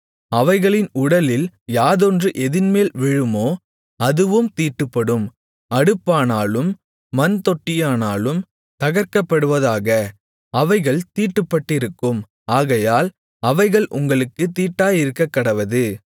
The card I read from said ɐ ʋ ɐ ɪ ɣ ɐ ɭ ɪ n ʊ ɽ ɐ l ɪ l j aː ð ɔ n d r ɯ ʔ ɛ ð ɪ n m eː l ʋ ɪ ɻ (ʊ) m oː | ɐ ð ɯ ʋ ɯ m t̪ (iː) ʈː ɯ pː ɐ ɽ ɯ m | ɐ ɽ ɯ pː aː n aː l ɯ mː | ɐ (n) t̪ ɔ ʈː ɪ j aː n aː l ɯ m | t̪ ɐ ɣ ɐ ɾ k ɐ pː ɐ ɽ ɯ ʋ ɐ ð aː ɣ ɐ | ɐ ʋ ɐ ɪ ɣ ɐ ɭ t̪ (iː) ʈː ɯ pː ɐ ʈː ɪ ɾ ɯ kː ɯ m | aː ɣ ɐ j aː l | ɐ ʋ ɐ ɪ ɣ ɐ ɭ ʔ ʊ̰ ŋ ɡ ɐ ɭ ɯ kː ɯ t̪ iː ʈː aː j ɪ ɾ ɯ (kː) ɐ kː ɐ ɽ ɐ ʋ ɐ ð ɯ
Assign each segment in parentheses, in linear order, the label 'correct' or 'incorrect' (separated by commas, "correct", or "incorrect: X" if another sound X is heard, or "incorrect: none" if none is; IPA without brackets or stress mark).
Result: incorrect: ɯ, correct, correct, correct, correct